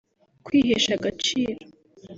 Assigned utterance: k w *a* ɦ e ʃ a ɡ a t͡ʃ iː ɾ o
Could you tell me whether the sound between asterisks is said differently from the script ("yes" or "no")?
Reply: yes